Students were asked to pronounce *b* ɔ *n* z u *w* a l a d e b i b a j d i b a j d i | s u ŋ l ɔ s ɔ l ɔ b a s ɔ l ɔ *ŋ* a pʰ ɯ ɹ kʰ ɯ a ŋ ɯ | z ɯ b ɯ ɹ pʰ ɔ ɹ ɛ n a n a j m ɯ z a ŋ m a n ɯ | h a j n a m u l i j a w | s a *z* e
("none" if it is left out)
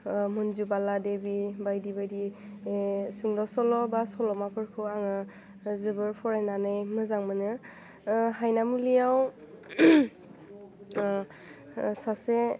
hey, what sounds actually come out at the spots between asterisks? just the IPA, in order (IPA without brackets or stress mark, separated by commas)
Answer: m, n, b, m, s